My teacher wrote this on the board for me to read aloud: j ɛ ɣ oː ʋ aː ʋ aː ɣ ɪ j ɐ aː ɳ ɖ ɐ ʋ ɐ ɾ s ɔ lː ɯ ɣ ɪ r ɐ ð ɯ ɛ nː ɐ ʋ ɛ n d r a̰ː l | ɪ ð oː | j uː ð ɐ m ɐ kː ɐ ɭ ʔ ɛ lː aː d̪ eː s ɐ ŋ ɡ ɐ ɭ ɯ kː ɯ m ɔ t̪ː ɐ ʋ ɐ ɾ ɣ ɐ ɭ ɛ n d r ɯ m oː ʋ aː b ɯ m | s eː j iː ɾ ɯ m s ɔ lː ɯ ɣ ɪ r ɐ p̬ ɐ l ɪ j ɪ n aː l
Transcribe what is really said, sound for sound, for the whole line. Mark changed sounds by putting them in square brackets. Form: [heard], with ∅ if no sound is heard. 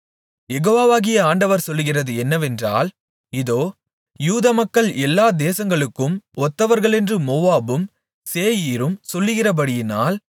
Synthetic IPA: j ɛ ɣ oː ʋ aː ʋ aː ɣ ɪ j ɐ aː ɳ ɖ ɐ ʋ ɐ ɾ s ɔ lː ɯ ɣ ɪ r ɐ ð ɯ ɛ nː ɐ ʋ ɛ n d r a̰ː l | ɪ ð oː | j uː ð ɐ m ɐ kː ɐ ɭ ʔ ɛ lː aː d̪ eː s ɐ ŋ ɡ ɐ ɭ ɯ kː ɯ m ɔ t̪ː ɐ ʋ ɐ ɾ ɣ ɐ ɭ ɛ n d r ɯ m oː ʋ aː b ɯ m | s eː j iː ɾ ɯ m s ɔ lː ɯ ɣ ɪ r ɐ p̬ ɐ [ɽ] ɪ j ɪ n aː l